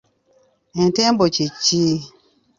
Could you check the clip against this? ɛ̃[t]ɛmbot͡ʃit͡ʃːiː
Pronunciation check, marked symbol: correct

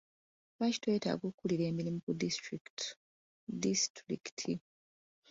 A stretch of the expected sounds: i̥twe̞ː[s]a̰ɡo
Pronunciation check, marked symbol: incorrect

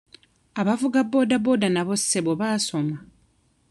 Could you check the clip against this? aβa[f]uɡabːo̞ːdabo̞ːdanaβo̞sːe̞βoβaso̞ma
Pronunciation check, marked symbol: incorrect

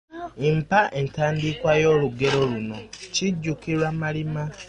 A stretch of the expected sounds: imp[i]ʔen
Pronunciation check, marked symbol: incorrect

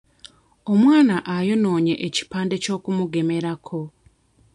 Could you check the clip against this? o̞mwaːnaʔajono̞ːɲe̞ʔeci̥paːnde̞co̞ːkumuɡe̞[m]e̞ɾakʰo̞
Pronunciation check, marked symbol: correct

